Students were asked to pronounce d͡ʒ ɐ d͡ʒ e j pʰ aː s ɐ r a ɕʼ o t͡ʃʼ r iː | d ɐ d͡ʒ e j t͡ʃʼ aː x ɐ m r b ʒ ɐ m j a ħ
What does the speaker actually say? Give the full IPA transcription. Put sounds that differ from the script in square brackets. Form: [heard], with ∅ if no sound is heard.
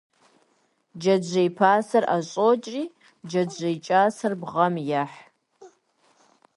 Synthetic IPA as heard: d͡ʒ ɐ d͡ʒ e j pʰ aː s ɐ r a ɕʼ o t͡ʃʼ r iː | [d͡ʒ] ɐ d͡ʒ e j t͡ʃʼ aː [s] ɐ [∅] r b [ʁ] ɐ m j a ħ